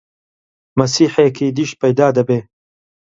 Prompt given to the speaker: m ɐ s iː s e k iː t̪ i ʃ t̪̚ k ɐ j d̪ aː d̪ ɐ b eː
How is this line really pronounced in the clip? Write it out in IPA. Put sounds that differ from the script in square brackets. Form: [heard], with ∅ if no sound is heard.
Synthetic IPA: m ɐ s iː [ħ] e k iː [d̪] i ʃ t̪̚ [p] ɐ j d̪ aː d̪ ɐ b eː